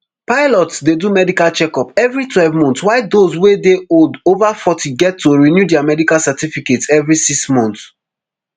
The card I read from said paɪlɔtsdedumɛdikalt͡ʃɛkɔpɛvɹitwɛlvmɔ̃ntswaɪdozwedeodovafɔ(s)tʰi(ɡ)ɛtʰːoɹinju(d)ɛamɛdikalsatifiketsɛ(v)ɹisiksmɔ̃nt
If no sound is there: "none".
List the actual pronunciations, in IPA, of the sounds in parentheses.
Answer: none, ɡ, d, v

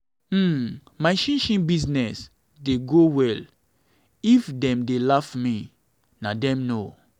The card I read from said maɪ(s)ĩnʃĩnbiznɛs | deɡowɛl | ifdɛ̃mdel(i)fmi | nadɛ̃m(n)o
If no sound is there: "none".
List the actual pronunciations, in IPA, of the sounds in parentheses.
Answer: ʃ, a, n

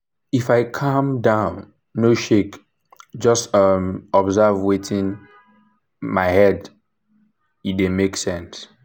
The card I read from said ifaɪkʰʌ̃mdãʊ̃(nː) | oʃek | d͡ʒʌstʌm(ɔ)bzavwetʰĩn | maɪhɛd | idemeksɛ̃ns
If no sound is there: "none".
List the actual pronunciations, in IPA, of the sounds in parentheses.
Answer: nː, ɔ

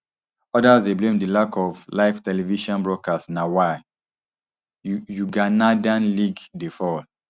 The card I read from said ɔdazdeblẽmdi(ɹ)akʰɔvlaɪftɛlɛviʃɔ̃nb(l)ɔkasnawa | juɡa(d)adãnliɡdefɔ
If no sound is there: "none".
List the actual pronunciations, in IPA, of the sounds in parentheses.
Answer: l, ɹ, n

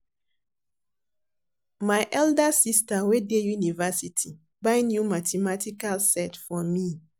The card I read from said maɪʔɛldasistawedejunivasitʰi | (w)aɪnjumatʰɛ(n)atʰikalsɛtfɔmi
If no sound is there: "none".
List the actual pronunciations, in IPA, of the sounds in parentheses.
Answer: b, m

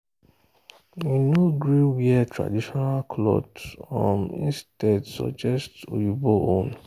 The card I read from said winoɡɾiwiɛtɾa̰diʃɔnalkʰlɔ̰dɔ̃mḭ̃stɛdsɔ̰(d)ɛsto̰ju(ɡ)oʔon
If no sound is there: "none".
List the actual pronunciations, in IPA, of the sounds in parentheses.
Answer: d͡ʒ, b

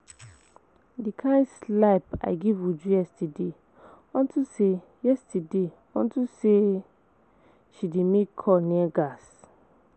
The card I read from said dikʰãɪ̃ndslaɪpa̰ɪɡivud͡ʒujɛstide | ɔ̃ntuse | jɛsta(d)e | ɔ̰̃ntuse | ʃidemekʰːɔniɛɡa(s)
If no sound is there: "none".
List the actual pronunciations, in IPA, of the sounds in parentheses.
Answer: d, s

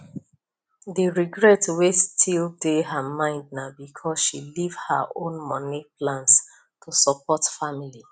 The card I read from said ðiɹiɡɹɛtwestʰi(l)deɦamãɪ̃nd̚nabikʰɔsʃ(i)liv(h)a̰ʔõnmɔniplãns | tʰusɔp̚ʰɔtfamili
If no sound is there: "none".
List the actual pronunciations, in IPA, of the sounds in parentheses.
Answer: l, i, h

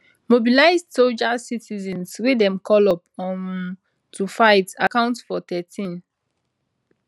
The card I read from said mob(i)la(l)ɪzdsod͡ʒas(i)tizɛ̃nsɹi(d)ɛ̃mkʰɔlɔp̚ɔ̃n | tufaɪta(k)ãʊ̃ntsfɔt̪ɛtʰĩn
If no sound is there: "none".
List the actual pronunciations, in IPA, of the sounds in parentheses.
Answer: i, none, i, d, k

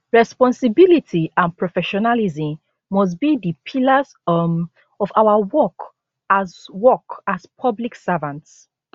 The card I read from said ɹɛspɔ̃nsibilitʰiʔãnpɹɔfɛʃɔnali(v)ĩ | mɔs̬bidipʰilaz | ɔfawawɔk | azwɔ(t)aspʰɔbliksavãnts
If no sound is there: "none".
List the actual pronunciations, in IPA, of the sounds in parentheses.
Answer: z, k

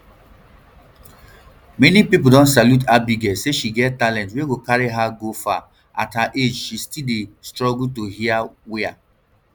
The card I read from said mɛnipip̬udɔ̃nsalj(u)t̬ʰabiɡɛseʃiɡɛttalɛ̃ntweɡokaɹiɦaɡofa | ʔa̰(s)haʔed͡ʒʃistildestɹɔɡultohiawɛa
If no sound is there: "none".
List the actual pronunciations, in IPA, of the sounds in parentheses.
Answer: u, t

